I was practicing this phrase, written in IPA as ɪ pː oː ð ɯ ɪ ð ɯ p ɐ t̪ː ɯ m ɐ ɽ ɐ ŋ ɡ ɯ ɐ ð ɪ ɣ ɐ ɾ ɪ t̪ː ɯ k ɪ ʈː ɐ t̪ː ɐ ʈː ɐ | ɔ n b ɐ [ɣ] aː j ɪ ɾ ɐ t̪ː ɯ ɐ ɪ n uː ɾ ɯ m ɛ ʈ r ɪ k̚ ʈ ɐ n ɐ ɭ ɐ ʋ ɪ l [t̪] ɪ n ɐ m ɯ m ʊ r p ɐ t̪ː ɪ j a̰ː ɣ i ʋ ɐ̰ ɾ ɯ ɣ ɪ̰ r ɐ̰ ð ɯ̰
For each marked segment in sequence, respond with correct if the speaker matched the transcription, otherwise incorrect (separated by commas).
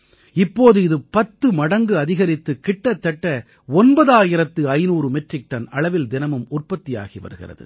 incorrect, incorrect